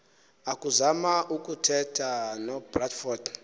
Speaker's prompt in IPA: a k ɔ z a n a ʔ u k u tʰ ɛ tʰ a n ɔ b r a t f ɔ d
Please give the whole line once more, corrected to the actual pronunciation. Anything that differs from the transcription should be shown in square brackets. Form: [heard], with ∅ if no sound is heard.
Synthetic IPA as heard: a k [u] z a [m] a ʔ u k u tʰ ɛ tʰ a n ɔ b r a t f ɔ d